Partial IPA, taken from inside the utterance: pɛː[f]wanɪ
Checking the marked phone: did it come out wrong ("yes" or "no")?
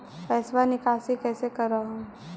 yes